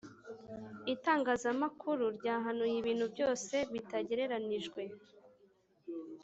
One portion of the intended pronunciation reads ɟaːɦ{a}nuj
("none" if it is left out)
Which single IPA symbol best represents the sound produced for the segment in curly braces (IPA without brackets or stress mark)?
a